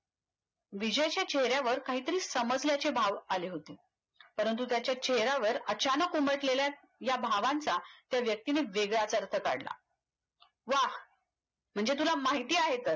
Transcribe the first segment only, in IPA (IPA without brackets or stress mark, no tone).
ʋ